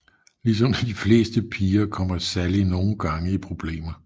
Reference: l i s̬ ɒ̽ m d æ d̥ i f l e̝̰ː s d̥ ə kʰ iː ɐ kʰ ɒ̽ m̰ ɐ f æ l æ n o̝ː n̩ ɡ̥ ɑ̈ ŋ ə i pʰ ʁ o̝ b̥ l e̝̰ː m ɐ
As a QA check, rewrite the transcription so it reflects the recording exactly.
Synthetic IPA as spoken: l i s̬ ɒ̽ m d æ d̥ i f l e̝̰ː s d̥ ə pʰ iː ɐ kʰ ɒ̽ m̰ ɐ s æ l i n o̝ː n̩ ɡ̥ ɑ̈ ŋ ə i pʰ ʁ o̝ b̥ l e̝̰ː m ɐ